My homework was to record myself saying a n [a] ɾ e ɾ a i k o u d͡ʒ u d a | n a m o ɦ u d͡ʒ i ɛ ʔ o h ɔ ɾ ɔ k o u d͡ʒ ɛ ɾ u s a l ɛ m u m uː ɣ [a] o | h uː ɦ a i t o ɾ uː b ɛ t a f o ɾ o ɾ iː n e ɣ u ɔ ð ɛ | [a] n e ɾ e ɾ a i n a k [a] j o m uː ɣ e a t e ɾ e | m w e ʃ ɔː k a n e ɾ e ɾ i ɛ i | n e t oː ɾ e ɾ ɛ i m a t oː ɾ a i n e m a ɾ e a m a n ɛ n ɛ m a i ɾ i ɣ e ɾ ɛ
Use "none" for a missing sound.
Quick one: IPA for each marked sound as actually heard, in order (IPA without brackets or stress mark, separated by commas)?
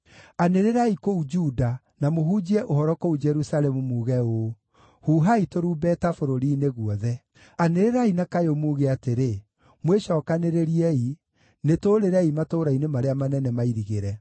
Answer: e, ɛ, a, a